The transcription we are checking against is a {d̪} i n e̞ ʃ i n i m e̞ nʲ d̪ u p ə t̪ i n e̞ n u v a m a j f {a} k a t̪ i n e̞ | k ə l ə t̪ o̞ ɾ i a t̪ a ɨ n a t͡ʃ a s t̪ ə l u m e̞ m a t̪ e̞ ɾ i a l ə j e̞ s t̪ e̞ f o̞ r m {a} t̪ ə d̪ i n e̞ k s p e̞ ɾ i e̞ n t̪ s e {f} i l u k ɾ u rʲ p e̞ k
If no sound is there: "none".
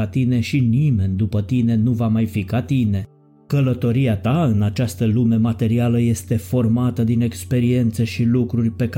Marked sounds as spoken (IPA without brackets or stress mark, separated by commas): t̪, i, a, ʃ